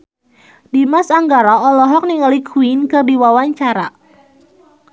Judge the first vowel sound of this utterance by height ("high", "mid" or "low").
high